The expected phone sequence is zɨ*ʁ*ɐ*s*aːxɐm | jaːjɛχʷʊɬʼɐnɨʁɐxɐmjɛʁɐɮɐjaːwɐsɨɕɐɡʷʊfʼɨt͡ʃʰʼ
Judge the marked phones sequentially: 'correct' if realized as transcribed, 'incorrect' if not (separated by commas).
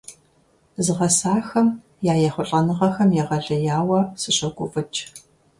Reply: correct, correct